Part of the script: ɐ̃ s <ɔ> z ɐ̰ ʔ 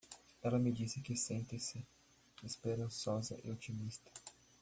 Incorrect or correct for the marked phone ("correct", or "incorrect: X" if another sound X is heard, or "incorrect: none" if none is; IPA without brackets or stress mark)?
correct